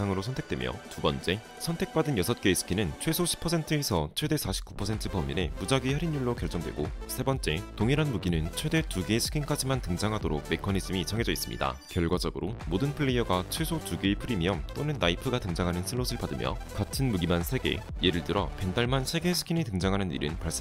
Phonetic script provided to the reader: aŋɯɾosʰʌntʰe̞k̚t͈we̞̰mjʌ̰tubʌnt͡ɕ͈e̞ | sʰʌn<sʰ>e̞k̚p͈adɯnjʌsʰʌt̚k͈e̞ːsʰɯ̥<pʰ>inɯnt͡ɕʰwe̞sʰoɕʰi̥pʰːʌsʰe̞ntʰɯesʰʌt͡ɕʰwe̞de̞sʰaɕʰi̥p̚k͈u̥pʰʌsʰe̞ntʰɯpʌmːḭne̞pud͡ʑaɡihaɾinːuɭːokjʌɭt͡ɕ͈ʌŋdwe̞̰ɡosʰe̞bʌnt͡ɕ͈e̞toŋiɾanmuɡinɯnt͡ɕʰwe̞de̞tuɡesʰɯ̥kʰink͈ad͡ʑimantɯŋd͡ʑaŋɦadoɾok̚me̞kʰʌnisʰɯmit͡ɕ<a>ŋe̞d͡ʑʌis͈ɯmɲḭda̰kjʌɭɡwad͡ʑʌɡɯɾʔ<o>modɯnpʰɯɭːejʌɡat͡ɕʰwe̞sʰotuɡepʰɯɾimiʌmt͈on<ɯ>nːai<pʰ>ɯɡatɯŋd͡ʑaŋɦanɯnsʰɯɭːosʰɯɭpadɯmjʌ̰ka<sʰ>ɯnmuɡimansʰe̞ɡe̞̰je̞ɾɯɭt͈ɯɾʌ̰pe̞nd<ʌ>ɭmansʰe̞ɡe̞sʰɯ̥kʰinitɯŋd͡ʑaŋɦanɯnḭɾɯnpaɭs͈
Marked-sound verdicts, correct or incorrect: incorrect, incorrect, incorrect, correct, correct, correct, incorrect, incorrect

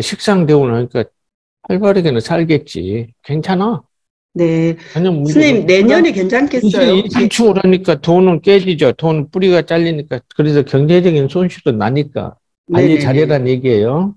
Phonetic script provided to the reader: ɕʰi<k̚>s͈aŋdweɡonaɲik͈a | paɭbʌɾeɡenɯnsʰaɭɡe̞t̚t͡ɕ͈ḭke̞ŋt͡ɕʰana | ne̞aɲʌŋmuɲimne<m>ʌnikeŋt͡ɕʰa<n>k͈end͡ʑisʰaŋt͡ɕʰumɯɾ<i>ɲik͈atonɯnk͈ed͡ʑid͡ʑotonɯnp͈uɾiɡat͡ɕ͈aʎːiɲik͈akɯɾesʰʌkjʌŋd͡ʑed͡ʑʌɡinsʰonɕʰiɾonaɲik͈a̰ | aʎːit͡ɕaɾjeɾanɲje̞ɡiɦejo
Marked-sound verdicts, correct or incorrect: correct, incorrect, correct, incorrect

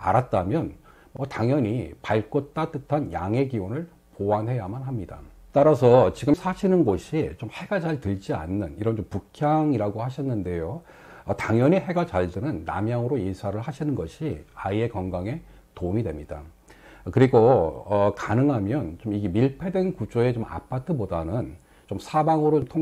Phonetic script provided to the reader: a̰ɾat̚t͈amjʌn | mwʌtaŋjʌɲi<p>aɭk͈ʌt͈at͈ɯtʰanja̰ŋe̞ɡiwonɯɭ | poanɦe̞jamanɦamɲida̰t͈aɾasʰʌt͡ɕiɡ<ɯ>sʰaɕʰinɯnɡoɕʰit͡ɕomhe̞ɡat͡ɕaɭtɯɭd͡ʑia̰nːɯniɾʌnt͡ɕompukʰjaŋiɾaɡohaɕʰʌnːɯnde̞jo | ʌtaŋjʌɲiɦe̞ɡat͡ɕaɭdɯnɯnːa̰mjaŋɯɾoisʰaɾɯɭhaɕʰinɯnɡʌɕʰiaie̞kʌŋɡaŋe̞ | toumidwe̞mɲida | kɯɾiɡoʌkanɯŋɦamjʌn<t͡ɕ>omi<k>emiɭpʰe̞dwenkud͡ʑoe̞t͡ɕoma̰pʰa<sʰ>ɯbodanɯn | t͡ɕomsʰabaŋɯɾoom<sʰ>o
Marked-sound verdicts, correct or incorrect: correct, correct, correct, incorrect, incorrect, incorrect

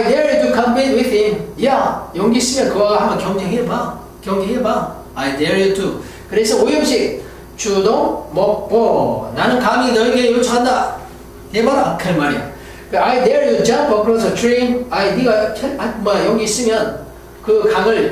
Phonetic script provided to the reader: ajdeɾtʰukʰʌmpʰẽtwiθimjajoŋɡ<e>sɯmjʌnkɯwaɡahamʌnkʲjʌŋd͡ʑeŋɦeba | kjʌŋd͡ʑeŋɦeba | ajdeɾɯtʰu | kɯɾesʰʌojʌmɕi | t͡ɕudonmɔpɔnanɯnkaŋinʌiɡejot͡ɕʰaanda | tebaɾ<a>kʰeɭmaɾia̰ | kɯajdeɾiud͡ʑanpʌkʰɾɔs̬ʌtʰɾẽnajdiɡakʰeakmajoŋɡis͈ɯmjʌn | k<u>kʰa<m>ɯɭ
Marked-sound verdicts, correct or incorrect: incorrect, correct, incorrect, incorrect

